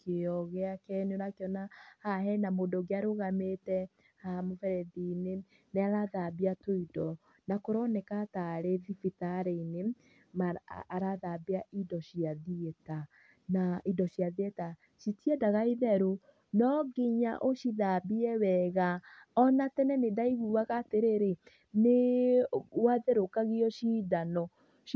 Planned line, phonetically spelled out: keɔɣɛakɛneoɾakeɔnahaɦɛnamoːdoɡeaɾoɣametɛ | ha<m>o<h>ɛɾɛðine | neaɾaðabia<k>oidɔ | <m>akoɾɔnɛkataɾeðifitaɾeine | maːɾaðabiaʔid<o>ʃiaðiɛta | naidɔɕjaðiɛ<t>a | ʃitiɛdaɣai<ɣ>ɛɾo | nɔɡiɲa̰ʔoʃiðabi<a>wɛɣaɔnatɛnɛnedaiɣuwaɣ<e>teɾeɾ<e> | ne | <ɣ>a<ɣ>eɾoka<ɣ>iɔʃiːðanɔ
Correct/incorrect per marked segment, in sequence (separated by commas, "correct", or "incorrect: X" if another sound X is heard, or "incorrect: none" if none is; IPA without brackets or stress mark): correct, incorrect: f, incorrect: t, incorrect: n, incorrect: ɔ, correct, incorrect: ð, incorrect: ɛ, incorrect: a, correct, incorrect: w, incorrect: ð, correct